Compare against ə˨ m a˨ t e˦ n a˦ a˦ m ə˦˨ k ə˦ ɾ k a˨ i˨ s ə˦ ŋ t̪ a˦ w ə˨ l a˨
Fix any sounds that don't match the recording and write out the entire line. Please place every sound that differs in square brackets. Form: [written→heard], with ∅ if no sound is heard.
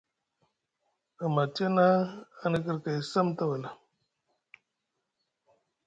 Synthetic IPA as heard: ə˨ m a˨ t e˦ n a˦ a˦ [m→n] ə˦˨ k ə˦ ɾ k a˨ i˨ s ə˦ [ŋ→m] t̪ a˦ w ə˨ l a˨